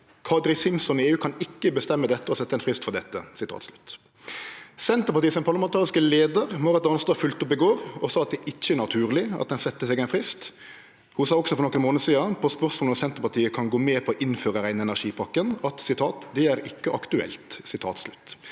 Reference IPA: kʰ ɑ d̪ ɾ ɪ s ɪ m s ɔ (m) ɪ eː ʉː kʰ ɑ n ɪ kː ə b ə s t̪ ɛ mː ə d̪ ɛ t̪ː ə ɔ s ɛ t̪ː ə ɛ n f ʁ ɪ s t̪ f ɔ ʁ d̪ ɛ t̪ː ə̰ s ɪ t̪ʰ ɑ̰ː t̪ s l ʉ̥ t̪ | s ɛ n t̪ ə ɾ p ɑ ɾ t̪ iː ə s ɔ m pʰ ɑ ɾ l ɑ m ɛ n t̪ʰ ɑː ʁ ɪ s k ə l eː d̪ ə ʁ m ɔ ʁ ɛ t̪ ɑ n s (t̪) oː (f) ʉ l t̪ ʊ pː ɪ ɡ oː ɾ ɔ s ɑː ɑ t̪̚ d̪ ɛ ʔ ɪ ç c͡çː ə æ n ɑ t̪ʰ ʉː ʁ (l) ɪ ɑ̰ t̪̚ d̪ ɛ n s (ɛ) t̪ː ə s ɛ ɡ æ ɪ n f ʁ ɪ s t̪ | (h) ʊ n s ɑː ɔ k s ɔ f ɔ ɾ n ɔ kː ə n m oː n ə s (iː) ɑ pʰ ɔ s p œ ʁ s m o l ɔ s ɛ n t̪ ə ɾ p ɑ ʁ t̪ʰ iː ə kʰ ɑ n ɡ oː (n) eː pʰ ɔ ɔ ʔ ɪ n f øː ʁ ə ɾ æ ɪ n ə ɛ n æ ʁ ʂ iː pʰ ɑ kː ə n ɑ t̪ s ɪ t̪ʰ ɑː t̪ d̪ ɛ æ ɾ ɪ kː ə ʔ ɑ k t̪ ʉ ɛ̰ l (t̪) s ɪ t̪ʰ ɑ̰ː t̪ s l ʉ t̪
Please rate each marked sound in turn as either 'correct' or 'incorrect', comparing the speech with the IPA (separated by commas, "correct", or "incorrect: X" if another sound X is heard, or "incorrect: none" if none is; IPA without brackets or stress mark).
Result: incorrect: n, correct, correct, correct, correct, correct, correct, incorrect: m, correct